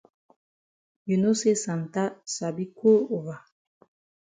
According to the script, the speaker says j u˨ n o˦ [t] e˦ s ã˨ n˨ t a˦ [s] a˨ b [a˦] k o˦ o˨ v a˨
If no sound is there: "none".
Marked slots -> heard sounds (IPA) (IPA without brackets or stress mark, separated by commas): s, s, i˦